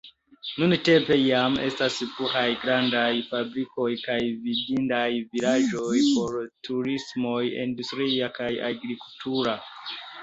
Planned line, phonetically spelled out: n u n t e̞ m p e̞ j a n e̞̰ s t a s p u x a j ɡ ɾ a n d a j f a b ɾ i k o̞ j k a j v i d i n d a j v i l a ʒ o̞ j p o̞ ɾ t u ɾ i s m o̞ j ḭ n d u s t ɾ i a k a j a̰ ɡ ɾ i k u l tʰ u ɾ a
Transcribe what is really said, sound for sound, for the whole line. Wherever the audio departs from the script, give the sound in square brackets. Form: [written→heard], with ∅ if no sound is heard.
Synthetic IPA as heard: n u n t e̞ m p e̞ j a [n→m] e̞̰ s t a s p u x a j ɡ ɾ a n d a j f a b ɾ i k o̞ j k a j v i d i n d a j v i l a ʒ o̞ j p o̞ ɾ t u ɾ i s m o̞ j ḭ n d u s t ɾ i a k a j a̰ ɡ ɾ i k u l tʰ u ɾ a